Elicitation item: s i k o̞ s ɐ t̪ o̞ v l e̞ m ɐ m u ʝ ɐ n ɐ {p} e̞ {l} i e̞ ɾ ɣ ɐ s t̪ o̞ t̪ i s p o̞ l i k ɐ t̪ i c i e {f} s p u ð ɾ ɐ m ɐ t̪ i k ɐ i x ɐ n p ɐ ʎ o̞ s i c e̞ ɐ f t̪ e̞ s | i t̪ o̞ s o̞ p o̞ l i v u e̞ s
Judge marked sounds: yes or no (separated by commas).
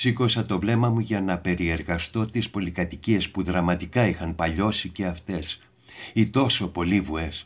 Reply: yes, no, no